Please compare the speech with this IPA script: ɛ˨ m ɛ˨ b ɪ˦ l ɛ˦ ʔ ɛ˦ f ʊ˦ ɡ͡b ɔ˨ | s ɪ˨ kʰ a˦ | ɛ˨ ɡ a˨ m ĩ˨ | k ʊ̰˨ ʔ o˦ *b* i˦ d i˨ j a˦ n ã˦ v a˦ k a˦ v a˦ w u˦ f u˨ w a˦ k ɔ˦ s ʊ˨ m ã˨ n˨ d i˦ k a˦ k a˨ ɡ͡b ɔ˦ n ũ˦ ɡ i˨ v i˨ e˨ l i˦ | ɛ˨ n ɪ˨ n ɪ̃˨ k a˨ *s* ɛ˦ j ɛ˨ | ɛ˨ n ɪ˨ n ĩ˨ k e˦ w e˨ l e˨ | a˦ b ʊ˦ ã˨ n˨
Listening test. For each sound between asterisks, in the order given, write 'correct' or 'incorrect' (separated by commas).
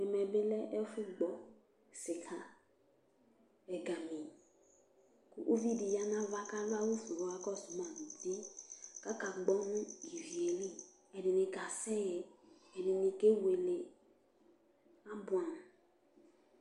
incorrect, correct